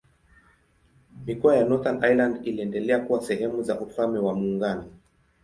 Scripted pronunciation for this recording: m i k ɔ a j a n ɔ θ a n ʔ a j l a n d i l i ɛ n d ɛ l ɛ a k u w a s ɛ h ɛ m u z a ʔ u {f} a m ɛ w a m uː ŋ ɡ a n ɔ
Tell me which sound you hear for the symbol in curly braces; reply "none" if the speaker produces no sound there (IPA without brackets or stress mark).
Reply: f